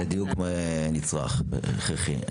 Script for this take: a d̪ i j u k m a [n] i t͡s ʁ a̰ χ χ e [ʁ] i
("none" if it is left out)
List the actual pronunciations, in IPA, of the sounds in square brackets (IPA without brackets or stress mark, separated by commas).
n, χ